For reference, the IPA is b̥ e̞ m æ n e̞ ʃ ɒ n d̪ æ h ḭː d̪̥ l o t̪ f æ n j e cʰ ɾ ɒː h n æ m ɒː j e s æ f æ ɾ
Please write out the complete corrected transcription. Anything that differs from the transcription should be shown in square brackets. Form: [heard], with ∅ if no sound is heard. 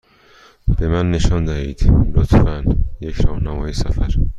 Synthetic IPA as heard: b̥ e̞ m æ [nː] e̞ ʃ ɒ n d̪ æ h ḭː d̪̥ l o t̪ f æ n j e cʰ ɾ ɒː h n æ m ɒː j e s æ f æ ɾ